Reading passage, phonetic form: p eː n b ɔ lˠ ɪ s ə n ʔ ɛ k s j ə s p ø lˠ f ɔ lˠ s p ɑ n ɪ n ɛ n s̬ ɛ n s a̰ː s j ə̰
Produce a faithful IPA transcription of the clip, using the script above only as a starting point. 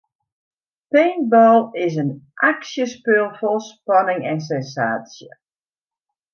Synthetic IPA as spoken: p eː n b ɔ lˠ ɪ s ə n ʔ a k s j ə s p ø lˠ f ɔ lˠ s p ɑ n ɪ ŋ ɛ n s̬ ɛ n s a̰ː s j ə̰